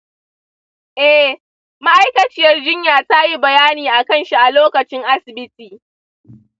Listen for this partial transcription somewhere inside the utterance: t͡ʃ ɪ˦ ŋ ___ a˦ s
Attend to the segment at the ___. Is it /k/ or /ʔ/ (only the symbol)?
ʔ